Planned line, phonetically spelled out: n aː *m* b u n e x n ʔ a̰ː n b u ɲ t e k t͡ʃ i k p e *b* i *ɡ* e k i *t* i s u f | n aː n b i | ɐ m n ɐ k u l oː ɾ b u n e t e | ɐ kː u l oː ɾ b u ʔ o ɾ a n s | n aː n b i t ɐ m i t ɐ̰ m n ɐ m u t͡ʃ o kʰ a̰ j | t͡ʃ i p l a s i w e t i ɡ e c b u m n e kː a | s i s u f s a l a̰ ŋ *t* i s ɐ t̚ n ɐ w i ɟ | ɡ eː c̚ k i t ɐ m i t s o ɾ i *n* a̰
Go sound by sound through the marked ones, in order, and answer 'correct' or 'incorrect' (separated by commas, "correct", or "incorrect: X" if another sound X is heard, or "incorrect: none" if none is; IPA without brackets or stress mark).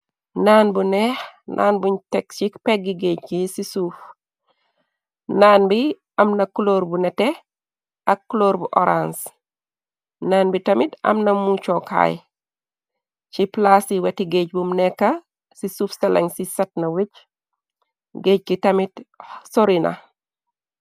incorrect: n, incorrect: ɡ, correct, incorrect: s, incorrect: s, correct